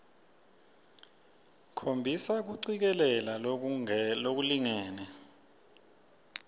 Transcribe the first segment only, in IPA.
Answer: kʰ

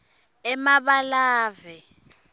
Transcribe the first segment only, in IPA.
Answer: ɛ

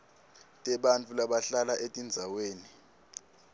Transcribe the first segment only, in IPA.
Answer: tʼ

